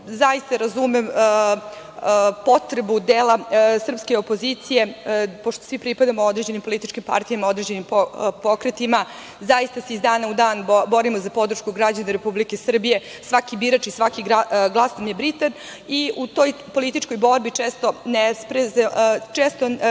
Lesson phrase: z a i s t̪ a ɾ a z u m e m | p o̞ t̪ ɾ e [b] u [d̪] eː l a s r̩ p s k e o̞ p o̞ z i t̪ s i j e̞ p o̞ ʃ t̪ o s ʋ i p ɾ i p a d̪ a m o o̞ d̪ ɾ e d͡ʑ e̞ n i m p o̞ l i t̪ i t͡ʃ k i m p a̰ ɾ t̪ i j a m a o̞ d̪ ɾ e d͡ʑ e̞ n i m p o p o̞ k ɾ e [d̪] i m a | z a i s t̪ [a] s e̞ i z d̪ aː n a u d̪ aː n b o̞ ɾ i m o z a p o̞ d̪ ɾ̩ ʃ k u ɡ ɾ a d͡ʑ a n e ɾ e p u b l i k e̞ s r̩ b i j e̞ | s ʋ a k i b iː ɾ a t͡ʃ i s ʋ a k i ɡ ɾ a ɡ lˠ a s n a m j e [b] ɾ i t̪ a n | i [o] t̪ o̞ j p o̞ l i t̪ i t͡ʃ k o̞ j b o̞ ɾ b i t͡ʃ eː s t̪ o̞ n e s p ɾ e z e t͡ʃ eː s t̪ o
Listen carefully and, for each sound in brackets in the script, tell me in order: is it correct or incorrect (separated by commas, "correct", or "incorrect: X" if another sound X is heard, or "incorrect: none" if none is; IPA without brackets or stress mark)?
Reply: correct, correct, incorrect: t̪, correct, correct, incorrect: u